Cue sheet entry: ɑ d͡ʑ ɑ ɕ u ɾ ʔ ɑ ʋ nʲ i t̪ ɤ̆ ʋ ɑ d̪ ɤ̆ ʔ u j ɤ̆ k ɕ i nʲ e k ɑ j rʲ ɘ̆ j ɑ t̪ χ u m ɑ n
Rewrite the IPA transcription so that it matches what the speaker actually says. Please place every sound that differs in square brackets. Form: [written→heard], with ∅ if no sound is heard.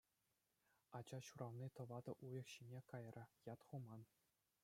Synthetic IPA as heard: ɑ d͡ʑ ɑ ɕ u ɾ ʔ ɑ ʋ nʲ i t̪ ɤ̆ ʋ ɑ d̪ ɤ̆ ʔ u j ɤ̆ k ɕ i nʲ e k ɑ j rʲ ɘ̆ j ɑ t̪ χ u m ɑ n